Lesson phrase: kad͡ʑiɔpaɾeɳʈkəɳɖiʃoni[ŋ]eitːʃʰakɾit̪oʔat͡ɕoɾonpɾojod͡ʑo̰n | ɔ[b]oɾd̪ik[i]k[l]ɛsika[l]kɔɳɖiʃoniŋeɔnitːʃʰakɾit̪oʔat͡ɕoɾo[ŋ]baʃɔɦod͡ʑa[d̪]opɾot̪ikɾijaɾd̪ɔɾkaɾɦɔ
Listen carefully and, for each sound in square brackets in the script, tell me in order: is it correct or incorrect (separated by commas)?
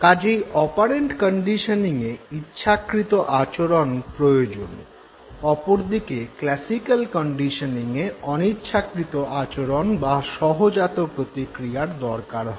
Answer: correct, incorrect, incorrect, correct, correct, incorrect, incorrect